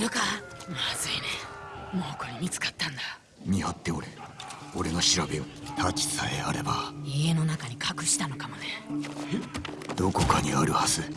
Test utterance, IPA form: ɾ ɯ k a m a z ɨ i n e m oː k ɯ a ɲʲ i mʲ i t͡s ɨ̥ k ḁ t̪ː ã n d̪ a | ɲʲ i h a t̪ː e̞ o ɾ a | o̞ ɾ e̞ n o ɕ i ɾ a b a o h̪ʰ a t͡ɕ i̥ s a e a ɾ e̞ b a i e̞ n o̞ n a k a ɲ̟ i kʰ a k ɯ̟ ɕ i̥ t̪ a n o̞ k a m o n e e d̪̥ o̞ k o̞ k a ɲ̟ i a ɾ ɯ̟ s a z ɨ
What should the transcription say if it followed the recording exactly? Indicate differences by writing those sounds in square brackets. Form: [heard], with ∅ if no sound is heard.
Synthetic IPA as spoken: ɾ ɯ k a m a z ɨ i n e m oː k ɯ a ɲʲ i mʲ i t͡s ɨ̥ k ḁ t̪ː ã n d̪ a | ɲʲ i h a t̪ː e̞ o ɾ [e] | o̞ ɾ e̞ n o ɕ i ɾ a b [e] o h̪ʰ a t͡ɕ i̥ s a e a ɾ e̞ b a i e̞ n o̞ n a k a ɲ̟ i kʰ a k ɯ̟ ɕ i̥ t̪ a n o̞ k a m o n e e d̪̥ o̞ k o̞ k a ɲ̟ i a ɾ ɯ̟ [h] a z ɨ